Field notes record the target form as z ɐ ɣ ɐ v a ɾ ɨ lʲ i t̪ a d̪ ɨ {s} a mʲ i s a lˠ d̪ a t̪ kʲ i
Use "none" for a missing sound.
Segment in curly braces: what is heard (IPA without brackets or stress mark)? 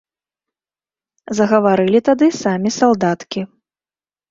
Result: s